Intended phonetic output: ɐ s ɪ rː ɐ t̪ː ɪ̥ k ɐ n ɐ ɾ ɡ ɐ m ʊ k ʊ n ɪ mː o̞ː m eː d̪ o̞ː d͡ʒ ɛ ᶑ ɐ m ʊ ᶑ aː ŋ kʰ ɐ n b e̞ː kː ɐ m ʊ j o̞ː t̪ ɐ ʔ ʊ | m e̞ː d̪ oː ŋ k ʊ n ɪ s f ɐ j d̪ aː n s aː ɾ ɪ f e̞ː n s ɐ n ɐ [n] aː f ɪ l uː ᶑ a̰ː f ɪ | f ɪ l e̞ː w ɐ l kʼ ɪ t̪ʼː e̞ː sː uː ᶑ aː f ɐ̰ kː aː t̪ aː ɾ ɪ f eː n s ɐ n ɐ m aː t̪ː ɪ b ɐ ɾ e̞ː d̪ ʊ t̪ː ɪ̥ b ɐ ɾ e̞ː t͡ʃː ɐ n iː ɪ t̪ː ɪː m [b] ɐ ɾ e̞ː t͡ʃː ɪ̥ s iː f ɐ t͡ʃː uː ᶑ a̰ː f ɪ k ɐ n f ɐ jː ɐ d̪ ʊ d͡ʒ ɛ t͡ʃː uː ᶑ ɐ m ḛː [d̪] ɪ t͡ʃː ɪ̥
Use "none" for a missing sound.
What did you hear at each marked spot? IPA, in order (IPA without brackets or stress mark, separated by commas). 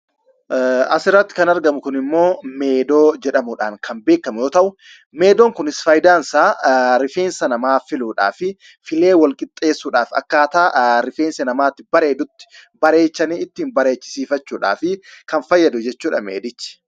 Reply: m, b, d̪